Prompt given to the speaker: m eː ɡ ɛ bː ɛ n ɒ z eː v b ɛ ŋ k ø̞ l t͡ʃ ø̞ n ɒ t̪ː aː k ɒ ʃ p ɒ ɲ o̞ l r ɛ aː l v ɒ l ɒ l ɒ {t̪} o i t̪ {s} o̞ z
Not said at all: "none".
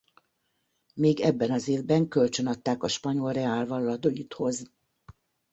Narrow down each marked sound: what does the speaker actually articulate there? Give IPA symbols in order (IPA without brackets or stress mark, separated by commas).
d̪, h